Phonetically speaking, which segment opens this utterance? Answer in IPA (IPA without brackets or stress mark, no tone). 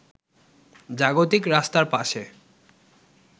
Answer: d͡ʑ